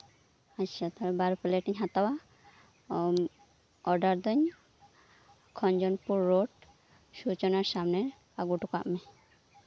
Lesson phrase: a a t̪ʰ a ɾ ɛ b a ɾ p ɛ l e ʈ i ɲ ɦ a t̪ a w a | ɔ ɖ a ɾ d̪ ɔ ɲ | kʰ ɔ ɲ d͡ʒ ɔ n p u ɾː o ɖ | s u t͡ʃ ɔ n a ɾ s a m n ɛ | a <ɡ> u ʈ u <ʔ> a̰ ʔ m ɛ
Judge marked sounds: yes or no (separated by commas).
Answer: yes, no